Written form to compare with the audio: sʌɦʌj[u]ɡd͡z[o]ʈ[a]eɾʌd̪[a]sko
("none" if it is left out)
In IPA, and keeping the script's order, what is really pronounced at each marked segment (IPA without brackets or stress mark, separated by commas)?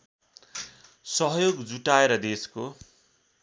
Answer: o, u, a, e